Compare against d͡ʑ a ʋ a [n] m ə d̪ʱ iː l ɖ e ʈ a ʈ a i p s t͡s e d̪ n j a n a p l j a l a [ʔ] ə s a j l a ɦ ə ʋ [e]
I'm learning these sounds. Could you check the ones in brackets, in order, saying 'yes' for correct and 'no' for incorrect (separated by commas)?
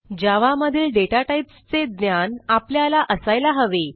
no, yes, yes